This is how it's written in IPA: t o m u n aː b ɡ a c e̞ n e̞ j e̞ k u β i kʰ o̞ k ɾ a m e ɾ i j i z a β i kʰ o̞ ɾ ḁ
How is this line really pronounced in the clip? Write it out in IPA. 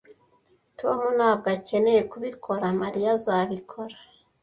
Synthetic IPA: t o m u n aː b ɡ a c e̞ n e̞ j e̞ k u β i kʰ o̞ ɾ a m a ɾ i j a z a β i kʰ o̞ ɾ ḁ